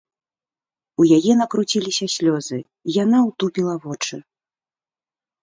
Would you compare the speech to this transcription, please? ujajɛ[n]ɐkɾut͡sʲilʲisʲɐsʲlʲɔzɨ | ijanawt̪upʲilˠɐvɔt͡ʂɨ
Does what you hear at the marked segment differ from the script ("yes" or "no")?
no